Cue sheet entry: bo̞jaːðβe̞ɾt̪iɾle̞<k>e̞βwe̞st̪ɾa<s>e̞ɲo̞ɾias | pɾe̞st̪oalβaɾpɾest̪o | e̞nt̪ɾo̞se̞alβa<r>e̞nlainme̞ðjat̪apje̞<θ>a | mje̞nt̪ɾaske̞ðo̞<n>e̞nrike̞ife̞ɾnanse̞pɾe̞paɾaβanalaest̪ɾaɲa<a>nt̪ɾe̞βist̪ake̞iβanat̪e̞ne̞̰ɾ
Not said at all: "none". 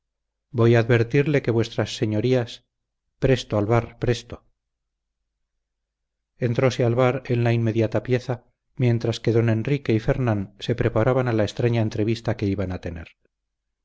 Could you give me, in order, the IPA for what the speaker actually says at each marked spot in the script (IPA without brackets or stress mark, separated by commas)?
k, sː, ɾ, θ, n, e